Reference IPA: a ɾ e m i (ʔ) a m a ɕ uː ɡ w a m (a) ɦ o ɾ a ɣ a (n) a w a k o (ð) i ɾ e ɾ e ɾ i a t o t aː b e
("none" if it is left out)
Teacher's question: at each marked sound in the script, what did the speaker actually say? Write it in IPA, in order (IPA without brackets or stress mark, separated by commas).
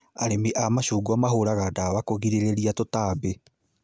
ʔ, a, d, ɣ